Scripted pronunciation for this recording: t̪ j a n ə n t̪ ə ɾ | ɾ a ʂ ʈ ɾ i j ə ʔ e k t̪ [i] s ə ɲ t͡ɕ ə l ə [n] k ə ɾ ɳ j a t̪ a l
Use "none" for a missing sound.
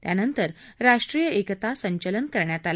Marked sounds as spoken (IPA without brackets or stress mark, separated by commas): a, n